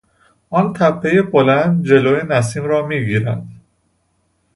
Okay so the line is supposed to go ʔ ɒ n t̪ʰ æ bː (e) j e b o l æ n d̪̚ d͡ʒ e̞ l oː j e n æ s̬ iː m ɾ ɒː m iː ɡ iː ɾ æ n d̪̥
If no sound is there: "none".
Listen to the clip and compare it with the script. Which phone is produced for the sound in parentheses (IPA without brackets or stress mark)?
e